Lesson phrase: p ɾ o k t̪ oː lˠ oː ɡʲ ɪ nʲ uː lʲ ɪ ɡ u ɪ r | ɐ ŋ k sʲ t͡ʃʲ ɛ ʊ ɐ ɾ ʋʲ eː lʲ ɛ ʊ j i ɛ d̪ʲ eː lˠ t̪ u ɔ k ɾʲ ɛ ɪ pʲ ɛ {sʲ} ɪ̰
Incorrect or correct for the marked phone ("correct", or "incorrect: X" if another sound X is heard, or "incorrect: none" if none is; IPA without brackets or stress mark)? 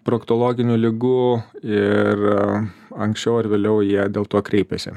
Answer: correct